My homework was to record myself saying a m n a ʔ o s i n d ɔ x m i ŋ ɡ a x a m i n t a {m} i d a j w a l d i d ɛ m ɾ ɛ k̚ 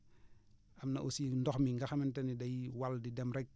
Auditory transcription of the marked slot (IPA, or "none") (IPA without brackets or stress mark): n